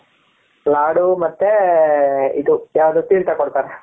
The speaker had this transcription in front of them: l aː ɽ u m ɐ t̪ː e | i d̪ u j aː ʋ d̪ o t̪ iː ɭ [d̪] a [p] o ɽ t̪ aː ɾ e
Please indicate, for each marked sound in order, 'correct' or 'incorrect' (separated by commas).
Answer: incorrect, incorrect